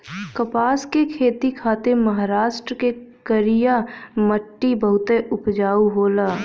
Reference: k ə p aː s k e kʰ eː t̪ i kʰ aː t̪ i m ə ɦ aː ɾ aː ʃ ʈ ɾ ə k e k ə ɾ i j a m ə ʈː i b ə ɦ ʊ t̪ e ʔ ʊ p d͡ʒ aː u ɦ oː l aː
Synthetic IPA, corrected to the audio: k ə p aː s k e kʰ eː t̪ i kʰ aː t̪ e m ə ɦ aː ɾ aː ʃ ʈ ɾ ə k e k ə ɾ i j a m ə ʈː i b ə ɦ ʊ t̪ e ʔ ʊ p d͡ʒ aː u ɦ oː l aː

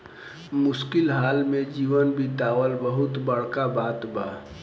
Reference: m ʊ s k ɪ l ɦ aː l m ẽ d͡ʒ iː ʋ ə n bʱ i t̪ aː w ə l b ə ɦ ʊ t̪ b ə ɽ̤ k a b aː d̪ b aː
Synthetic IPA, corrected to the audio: m ʊ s k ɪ l ɦ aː l m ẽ d͡ʒ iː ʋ ə n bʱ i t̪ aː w ə l b ə ɦ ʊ t̪ b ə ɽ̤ k a b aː t̪ b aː

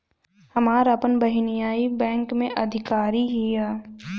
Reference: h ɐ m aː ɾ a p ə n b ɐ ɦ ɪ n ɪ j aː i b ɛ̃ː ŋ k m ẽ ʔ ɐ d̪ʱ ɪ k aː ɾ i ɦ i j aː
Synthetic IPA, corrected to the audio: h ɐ m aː ɾ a p ə n b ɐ ɦ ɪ n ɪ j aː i b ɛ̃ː ŋ k m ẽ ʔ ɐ d̪ʱ ɪ k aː ɾ i ɦ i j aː

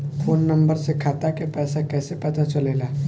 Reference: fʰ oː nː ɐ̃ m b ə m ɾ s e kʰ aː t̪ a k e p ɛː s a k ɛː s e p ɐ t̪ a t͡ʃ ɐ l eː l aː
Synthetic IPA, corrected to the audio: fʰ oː nː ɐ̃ m b ə ɾ s e kʰ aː t̪ a k e p ɛː s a k ɛː s e p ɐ t̪ a t͡ʃ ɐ l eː l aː

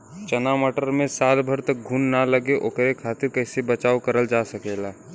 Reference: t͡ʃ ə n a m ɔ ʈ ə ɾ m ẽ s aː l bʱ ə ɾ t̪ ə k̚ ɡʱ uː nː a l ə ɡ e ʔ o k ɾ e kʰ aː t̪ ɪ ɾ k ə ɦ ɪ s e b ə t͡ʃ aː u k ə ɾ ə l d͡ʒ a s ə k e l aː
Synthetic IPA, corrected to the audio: t͡ʃ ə n a m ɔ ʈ ə ɾ m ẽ s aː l bʱ ə ɾ t̪ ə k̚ ɡʱ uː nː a l ə ɡ e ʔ o k ɾ e kʰ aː t̪ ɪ ɾ k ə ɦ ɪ s e b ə t͡ʃ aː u k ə ɾ ə l d͡ʒ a s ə k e l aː

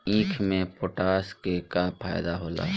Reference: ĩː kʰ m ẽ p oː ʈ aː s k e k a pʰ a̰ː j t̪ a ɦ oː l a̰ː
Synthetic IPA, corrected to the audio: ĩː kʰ m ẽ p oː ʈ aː s k e k a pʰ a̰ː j d̪ a ɦ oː l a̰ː

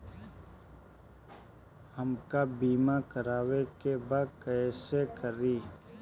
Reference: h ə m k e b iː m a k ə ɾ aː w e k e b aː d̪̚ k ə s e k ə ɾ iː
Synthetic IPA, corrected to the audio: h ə m k a b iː m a k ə ɾ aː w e k e b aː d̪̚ k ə s e k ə ɾ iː

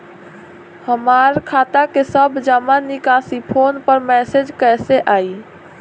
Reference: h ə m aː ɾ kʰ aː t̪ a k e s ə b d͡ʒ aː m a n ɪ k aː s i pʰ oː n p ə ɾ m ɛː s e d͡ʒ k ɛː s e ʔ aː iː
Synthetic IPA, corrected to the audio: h ə m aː ɾ kʰ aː t̪ a k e s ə b d͡ʒ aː m a n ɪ k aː s i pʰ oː n p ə ɾ m ɛː s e d͡ʒ k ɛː s e ʔ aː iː

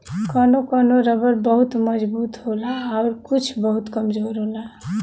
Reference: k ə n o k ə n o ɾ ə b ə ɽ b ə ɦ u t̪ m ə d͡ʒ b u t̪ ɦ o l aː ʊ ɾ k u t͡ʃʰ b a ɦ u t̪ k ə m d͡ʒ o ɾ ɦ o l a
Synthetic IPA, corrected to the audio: k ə n o k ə n o ɾ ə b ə ɾ b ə ɦ u t̪ m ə d͡ʒ b u t̪ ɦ o l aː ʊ ɾ k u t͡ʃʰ b ə ɦ u t̪ k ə m d͡ʒ o ɾ ɦ o l a

